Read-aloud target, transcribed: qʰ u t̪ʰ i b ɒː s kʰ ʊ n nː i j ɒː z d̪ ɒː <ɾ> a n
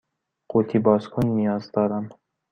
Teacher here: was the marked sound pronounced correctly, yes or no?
yes